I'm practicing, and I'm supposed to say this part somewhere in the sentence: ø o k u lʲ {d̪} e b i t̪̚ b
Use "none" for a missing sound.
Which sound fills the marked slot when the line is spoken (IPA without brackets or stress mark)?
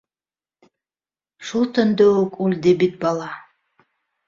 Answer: d̪